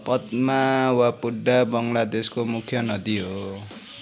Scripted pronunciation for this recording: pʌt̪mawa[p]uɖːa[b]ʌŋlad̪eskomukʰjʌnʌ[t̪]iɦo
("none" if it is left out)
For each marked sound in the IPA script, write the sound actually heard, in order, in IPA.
p, b, d̪

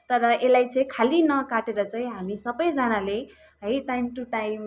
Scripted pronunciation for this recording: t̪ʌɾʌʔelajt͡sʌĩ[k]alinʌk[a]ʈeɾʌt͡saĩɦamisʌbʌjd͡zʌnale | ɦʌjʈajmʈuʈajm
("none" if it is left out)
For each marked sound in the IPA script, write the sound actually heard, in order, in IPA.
kʰ, a

